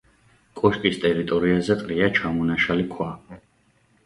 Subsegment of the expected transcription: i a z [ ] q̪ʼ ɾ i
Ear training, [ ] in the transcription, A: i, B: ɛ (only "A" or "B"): B